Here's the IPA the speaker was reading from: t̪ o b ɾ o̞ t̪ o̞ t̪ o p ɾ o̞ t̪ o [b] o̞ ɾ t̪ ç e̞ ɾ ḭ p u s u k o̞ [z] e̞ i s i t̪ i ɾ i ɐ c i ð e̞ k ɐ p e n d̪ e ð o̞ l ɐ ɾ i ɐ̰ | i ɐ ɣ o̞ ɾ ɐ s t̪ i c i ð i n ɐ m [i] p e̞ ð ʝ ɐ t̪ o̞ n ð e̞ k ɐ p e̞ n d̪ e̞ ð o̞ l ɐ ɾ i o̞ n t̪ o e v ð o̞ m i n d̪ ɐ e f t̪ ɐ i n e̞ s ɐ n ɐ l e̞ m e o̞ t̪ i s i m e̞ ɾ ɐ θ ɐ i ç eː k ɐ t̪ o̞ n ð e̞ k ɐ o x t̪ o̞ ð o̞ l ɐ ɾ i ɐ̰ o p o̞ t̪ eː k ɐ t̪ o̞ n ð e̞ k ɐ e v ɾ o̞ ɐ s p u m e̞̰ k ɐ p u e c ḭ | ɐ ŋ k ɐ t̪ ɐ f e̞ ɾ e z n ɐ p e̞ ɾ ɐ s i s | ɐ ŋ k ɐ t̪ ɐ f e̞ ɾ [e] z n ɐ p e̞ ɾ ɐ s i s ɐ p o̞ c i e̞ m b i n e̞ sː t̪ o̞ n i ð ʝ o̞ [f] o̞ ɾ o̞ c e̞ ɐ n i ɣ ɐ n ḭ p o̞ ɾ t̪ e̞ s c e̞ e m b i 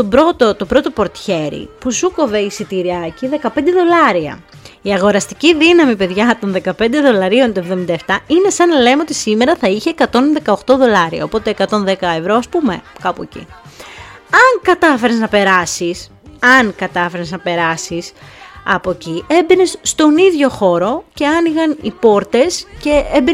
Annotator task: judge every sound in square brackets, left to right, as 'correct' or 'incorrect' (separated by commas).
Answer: incorrect, incorrect, correct, correct, incorrect